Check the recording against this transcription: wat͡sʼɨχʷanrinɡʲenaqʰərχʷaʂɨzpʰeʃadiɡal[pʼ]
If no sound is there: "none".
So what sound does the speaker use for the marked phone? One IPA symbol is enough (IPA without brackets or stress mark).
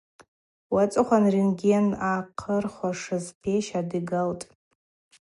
tʼ